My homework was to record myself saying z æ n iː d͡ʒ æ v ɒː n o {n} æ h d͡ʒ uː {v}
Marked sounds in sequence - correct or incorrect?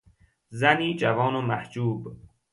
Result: incorrect, incorrect

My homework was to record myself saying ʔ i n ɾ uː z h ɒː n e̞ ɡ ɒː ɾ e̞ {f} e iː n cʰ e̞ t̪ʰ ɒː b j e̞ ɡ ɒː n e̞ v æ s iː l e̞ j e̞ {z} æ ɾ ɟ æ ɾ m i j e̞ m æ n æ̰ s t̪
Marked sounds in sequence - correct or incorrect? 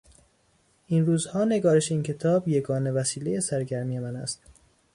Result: incorrect, incorrect

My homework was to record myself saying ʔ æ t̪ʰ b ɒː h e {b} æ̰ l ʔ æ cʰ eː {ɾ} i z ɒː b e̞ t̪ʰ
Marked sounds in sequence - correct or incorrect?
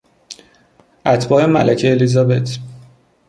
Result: incorrect, incorrect

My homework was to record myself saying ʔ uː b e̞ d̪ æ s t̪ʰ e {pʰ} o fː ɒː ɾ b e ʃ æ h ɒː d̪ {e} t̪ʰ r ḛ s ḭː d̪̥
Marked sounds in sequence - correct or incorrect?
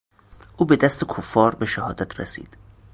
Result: incorrect, incorrect

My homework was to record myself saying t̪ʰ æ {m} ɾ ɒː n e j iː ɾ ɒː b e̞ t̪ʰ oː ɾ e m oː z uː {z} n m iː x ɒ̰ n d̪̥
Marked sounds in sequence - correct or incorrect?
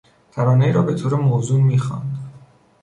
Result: incorrect, incorrect

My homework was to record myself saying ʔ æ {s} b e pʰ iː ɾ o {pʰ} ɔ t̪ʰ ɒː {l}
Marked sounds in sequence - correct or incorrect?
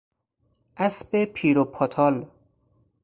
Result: correct, correct, correct

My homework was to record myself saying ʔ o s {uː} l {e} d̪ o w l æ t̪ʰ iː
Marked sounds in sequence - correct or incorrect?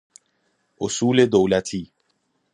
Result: correct, correct

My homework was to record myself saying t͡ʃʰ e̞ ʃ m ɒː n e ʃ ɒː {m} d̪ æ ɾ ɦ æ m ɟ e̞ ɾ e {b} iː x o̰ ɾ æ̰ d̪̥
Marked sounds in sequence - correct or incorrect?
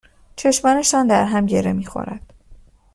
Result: incorrect, incorrect

